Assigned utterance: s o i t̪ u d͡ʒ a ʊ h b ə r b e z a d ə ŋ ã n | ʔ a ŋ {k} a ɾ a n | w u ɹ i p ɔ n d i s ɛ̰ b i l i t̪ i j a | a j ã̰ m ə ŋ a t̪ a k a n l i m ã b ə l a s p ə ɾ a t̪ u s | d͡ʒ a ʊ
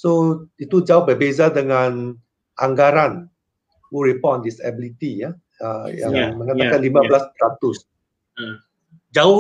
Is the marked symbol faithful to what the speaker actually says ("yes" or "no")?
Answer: no